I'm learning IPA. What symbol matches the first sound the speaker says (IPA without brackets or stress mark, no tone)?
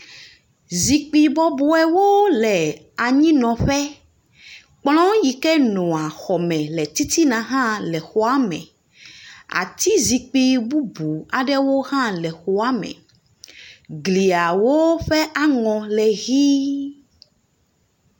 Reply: z